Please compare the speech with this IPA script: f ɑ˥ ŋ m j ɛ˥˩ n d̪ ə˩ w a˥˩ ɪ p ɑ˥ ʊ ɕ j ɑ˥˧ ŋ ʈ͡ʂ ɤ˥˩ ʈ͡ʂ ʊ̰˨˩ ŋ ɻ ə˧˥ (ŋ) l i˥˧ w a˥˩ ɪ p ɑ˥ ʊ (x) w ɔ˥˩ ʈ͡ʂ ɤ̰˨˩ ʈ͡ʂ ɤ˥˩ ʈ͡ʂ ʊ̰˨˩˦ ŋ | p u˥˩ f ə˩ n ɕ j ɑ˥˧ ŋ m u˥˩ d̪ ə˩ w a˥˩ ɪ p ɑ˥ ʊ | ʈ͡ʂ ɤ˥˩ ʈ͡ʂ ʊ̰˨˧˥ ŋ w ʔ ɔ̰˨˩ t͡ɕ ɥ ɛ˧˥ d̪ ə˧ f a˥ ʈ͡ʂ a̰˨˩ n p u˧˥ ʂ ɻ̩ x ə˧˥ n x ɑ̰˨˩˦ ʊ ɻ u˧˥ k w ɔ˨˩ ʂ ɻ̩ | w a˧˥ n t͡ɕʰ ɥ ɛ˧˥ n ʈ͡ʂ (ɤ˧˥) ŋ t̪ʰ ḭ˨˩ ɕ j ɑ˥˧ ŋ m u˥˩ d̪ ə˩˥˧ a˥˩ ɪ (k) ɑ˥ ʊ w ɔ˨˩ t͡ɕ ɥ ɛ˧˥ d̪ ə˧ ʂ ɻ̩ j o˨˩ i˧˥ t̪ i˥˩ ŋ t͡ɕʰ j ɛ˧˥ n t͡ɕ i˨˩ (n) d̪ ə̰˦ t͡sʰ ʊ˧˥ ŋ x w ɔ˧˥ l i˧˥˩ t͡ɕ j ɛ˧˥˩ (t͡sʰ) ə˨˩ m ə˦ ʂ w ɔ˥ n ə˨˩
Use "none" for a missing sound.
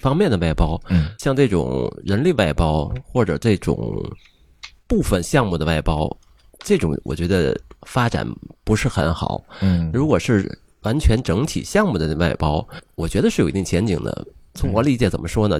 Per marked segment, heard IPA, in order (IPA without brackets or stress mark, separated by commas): n, x, ɤ˧˥, p, ŋ, t͡s